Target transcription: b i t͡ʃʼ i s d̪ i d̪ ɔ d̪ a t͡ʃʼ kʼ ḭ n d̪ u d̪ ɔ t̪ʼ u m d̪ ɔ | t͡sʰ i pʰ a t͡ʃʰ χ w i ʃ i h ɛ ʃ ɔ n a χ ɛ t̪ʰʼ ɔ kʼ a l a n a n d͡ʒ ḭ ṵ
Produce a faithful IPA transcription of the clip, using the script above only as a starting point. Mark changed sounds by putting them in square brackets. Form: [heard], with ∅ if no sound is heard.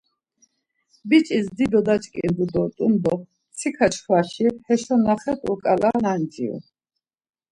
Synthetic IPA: b i t͡ʃʼ i s d̪ i d̪ ɔ d̪ a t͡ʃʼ kʼ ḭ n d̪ u d̪ ɔ t̪ʼ u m d̪ ɔ | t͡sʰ i [kʰ] a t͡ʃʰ χ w [a] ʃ i h ɛ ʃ ɔ n a χ ɛ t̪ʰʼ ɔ kʼ a l a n a n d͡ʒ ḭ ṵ